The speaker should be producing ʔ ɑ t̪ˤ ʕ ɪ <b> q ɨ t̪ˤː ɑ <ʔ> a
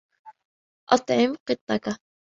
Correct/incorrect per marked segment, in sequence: incorrect: m, incorrect: k

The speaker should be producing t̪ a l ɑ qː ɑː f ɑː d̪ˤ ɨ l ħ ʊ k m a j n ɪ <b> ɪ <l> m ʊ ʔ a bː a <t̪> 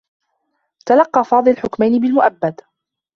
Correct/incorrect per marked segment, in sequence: correct, correct, incorrect: d̪

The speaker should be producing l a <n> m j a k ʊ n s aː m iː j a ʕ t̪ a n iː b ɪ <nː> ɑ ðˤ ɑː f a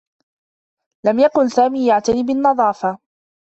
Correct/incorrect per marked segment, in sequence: incorrect: none, correct

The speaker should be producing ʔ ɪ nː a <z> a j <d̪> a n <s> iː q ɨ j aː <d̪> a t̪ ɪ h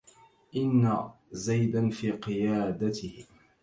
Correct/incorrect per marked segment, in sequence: correct, correct, incorrect: f, correct

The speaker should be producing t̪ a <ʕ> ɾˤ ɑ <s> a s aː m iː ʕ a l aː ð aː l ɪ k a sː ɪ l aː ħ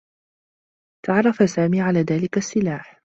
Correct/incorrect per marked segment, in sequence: correct, incorrect: f

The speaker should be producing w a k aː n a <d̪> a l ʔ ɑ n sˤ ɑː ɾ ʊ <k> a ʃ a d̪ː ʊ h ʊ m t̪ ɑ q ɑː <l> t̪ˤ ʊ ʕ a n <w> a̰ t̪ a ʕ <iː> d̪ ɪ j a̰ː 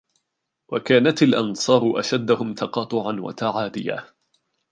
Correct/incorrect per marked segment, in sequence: incorrect: t̪, incorrect: ʔ, incorrect: none, correct, incorrect: aː

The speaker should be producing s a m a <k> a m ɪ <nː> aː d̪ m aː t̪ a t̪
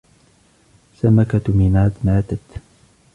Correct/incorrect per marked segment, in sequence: correct, incorrect: n

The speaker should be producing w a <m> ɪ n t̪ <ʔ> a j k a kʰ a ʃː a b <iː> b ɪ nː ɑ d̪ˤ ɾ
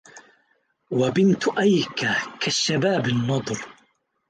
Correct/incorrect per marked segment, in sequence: incorrect: b, correct, incorrect: aː

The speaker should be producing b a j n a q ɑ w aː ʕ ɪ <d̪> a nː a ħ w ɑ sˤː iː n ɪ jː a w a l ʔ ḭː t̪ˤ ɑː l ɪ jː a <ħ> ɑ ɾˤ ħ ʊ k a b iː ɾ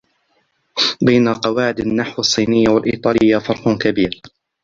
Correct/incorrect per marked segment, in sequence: correct, incorrect: f

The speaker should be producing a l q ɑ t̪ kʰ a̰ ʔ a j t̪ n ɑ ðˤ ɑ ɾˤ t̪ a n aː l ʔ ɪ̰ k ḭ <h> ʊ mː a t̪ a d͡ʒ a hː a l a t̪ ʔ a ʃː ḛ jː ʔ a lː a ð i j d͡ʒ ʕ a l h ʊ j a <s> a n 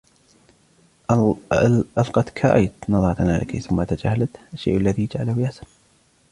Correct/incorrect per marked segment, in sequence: incorrect: θ, correct

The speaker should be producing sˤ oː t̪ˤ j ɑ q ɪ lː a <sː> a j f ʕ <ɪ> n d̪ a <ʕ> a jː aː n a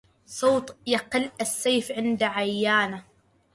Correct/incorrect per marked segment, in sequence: correct, correct, correct

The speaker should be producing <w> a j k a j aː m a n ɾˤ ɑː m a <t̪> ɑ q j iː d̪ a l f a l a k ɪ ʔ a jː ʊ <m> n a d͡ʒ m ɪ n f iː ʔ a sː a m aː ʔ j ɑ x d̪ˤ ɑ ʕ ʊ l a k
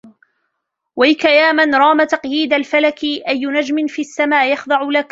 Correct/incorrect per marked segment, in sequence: correct, correct, incorrect: none

